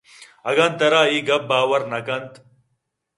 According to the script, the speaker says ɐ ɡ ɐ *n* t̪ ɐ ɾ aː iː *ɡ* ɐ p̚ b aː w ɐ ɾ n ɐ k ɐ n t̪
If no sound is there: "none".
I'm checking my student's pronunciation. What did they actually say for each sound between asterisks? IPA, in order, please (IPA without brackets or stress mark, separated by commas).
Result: n, ɡ